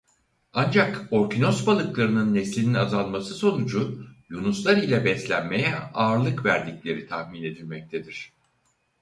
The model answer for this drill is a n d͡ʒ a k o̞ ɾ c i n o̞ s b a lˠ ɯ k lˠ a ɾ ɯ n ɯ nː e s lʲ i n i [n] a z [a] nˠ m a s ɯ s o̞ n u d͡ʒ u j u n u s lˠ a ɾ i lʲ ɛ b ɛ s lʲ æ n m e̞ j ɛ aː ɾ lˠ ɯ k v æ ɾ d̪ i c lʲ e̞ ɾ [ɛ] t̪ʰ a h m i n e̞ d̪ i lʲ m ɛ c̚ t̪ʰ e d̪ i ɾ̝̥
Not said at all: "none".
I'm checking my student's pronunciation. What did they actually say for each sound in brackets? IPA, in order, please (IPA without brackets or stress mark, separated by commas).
n, a, i